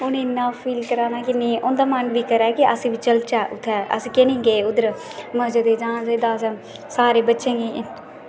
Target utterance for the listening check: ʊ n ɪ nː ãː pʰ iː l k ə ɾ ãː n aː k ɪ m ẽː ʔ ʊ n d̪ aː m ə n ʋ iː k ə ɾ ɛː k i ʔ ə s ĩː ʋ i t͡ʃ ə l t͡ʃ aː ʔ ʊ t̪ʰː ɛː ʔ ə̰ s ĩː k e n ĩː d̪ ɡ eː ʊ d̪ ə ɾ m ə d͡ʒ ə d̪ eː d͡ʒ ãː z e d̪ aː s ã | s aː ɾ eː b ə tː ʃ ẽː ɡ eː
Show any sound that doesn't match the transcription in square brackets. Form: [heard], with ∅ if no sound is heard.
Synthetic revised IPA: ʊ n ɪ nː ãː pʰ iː l k ə ɾ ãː n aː k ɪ [n] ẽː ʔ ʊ n d̪ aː m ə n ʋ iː k ə ɾ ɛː k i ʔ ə s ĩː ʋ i t͡ʃ ə l t͡ʃ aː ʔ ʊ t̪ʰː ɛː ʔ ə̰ s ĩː k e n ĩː [∅] ɡ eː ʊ d̪ ə ɾ m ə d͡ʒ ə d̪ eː d͡ʒ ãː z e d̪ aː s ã | s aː ɾ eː b ə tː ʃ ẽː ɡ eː